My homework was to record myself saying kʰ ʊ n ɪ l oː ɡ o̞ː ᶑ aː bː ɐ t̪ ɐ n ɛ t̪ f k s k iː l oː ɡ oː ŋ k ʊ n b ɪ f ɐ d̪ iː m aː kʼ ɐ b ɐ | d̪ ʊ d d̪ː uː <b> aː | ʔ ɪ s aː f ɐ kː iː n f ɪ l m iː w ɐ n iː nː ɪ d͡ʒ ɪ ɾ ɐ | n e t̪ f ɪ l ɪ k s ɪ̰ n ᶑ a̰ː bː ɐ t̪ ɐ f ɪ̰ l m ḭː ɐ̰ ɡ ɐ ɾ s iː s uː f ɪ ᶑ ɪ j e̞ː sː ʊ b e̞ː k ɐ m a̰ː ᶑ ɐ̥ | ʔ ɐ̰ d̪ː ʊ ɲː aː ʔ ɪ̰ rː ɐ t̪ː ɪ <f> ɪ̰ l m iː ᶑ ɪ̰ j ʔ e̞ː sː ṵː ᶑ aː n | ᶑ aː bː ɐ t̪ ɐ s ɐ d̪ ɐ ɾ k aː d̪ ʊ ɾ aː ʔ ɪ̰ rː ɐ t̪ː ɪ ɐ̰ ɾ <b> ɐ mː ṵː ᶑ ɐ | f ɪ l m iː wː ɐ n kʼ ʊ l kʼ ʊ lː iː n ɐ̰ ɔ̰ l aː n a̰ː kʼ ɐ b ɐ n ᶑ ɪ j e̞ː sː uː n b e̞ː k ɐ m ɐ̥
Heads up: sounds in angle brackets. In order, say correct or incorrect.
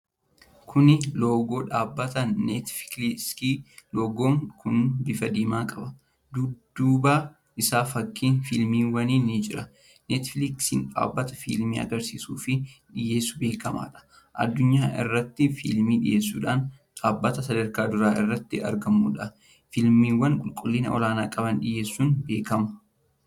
correct, correct, incorrect: ɡ

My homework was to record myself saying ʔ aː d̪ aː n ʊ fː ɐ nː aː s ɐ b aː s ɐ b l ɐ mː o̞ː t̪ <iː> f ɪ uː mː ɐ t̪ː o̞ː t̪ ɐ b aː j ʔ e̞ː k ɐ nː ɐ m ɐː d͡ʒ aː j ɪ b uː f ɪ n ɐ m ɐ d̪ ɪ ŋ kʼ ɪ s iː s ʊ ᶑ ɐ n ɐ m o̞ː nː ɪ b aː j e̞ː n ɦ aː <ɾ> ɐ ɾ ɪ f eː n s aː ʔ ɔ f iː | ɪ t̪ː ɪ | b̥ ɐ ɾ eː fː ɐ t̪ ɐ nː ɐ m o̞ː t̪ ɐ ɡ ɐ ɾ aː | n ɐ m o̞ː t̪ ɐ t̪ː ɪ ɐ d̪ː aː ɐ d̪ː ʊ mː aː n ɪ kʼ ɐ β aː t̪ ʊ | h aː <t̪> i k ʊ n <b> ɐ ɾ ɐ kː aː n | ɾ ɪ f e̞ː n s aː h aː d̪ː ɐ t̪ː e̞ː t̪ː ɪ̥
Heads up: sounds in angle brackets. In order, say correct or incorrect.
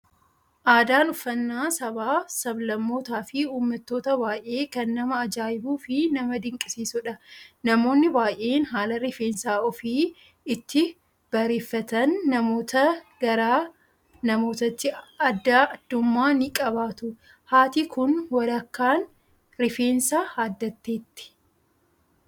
incorrect: aː, incorrect: l, correct, incorrect: w

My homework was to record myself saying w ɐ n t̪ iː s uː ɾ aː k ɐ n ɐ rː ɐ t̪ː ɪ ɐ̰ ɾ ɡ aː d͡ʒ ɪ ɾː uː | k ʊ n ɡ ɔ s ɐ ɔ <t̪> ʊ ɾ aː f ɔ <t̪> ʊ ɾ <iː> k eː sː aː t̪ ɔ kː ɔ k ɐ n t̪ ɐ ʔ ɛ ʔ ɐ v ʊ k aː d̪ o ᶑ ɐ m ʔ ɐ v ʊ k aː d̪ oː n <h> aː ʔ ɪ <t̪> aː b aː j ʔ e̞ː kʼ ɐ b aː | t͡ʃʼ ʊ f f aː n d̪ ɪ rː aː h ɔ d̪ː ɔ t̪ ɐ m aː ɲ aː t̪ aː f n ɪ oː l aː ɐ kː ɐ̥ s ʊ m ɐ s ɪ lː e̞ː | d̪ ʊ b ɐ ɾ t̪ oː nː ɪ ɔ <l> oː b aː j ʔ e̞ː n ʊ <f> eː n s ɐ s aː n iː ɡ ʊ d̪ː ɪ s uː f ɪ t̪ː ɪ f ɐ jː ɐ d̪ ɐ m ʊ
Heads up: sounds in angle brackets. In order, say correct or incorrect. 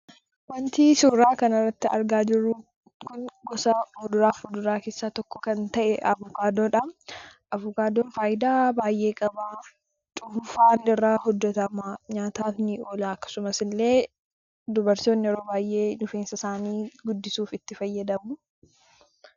incorrect: d̪, incorrect: d̪, incorrect: aː, incorrect: f, incorrect: d̪, incorrect: ɾ, correct

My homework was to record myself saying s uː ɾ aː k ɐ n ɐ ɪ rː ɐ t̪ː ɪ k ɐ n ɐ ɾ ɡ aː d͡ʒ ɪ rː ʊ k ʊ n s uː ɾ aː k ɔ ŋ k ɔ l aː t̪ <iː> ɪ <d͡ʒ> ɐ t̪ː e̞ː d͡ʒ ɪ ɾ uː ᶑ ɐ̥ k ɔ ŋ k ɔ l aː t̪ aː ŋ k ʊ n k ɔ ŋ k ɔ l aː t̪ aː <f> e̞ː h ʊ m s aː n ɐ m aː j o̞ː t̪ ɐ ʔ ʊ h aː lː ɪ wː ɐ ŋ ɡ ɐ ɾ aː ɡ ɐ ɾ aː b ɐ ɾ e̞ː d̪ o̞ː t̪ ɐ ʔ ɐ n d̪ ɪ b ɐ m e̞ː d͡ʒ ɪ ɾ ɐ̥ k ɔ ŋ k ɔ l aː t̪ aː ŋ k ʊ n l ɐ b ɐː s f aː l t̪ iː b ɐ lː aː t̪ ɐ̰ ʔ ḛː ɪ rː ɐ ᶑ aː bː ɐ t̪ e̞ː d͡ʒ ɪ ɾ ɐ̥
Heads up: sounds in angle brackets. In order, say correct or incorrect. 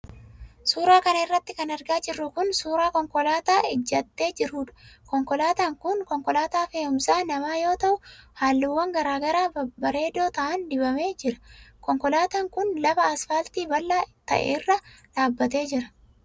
incorrect: aː, incorrect: d͡ʒː, correct

